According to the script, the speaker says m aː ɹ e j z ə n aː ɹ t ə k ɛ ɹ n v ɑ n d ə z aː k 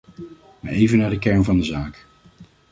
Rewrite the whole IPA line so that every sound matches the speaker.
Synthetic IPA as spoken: m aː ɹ e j v ə n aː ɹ d ə k ɛ ɹ n v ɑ n d ə z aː k